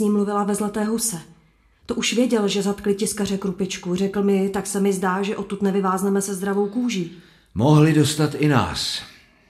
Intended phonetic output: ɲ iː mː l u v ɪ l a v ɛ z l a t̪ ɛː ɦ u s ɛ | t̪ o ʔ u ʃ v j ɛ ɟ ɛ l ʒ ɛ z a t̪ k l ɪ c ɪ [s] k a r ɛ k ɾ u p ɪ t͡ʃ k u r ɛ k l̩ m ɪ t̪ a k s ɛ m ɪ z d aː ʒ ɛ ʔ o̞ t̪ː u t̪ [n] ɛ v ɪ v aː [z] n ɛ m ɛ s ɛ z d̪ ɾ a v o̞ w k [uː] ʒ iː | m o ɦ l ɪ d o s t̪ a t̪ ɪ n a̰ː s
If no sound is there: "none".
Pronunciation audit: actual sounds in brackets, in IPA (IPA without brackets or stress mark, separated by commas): s, n, z, uː